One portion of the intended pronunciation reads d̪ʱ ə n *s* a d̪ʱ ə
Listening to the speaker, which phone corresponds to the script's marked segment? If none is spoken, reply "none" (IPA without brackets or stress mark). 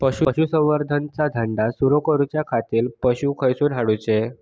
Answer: t͡s